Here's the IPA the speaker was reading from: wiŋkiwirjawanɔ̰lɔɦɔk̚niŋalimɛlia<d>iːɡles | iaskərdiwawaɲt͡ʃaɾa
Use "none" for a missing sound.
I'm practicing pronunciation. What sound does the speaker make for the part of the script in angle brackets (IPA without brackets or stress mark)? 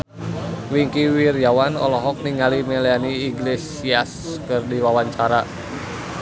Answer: n